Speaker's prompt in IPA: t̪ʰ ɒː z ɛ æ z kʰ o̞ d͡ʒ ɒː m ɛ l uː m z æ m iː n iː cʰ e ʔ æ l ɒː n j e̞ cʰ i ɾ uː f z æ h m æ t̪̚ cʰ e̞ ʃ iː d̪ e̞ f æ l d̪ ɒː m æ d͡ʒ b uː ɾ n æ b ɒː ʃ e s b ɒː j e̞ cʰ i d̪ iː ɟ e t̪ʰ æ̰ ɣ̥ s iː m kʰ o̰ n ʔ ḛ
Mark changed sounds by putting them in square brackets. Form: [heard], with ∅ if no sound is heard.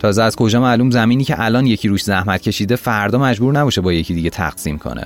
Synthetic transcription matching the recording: t̪ʰ ɒː z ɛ æ z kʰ o̞ d͡ʒ ɒː m [æ] l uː m z æ m iː n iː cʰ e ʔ æ l ɒː n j e̞ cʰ i ɾ uː [ʃ] z æ h m æ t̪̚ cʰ e̞ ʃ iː d̪ e̞ f æ [ɾ] d̪ ɒː m æ d͡ʒ b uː ɾ n æ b ɒː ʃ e [∅] b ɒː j e̞ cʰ i d̪ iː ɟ e t̪ʰ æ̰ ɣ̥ s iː m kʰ o̰ n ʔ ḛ